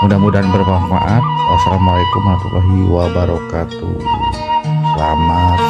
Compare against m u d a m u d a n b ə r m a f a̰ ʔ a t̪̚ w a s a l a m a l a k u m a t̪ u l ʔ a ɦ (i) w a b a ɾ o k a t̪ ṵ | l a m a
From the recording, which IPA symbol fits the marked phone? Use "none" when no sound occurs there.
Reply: i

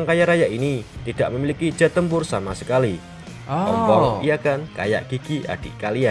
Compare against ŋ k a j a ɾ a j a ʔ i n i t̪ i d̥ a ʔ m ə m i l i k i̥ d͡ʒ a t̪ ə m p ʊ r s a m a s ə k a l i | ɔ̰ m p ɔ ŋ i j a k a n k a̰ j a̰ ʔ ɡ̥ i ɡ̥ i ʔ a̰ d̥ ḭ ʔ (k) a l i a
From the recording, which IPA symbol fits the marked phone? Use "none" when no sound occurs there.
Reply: k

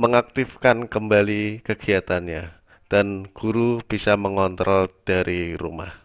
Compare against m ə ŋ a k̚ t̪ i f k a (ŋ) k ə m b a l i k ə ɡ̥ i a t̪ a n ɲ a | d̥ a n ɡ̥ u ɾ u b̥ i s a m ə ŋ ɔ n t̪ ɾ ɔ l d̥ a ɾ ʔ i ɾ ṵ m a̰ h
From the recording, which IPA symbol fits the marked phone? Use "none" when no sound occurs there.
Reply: n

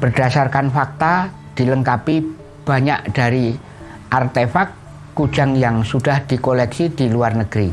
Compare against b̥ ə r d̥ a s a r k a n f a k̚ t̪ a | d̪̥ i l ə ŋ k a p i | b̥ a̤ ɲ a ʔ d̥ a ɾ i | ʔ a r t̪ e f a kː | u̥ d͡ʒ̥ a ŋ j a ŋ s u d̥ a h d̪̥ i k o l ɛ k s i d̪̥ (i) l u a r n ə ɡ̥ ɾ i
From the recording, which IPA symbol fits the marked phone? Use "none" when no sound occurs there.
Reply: i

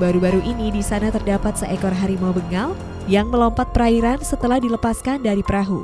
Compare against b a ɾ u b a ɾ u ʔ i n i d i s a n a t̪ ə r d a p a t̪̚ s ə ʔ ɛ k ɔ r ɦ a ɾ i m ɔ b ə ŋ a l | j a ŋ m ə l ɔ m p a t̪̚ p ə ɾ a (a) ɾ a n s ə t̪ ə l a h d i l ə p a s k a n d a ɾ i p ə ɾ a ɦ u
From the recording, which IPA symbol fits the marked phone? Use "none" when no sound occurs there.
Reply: i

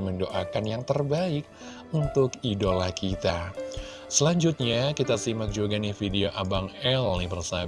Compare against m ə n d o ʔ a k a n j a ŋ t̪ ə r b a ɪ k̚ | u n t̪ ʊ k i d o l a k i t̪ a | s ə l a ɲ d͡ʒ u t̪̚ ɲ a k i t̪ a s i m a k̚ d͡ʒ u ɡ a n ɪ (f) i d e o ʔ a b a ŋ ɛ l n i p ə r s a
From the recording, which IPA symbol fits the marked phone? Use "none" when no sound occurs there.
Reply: f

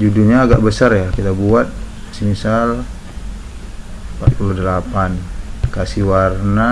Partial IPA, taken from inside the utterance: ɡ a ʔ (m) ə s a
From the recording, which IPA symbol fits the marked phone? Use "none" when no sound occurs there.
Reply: b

